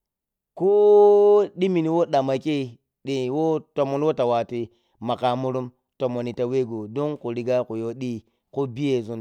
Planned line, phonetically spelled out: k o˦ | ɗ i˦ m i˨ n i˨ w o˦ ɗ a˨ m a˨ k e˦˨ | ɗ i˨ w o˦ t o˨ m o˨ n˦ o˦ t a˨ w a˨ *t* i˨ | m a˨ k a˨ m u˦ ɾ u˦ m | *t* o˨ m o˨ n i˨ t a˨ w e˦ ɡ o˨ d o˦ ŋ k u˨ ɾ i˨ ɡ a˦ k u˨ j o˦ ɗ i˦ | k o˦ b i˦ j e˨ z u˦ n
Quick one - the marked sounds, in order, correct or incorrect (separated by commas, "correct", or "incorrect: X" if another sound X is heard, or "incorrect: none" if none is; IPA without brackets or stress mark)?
correct, correct